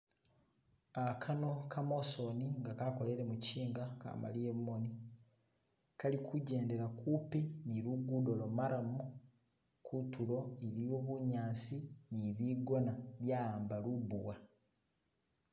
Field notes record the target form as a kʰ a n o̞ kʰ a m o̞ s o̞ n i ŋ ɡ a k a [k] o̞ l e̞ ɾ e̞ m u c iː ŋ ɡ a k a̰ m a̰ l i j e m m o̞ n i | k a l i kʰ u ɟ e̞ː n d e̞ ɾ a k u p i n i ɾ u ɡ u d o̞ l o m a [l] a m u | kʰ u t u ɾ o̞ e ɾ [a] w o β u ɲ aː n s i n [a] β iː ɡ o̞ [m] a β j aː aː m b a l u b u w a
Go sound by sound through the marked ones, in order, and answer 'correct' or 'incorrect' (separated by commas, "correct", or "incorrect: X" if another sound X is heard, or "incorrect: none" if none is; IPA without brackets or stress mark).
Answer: correct, incorrect: ɾ, incorrect: i, incorrect: i, incorrect: n